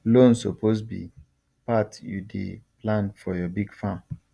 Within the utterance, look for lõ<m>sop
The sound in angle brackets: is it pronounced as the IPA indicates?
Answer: no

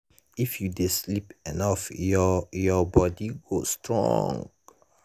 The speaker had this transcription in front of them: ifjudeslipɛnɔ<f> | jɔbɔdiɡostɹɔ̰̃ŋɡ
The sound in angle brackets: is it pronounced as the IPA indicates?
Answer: yes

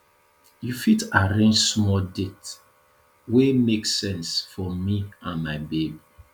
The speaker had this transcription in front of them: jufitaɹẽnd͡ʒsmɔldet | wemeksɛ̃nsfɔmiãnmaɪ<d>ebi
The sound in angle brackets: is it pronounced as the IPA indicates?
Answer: no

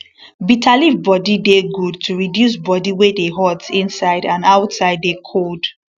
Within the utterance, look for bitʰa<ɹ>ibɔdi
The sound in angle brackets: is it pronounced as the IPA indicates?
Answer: no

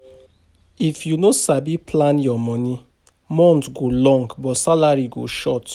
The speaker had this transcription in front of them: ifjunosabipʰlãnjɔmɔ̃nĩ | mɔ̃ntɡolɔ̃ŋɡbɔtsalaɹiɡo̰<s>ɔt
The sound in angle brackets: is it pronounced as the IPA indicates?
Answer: no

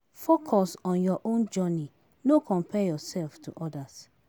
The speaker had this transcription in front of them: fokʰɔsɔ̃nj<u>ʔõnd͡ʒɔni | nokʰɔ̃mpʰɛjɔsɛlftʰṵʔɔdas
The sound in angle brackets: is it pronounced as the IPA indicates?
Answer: no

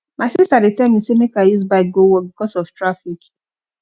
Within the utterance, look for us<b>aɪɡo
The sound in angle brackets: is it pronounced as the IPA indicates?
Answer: yes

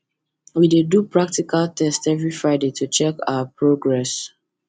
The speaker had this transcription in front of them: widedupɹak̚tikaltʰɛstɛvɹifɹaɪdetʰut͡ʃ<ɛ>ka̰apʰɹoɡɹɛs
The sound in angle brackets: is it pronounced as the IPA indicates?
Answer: yes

